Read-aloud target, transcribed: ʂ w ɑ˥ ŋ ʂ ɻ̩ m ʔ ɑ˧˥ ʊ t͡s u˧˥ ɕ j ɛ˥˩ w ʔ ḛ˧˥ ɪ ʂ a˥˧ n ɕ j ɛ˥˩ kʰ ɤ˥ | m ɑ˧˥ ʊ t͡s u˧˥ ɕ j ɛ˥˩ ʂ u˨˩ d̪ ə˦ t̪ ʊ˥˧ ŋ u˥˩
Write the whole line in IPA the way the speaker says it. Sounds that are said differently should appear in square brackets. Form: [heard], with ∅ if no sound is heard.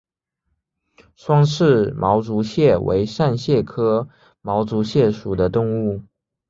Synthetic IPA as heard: ʂ w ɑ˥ ŋ ʂ ɻ̩ m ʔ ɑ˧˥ ʊ t͡s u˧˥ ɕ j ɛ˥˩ w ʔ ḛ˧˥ ɪ ʂ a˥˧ n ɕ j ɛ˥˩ kʰ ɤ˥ | m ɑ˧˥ ʊ t͡s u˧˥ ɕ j ɛ˥˩ ʂ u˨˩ d̪ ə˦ t̪ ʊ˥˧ ŋ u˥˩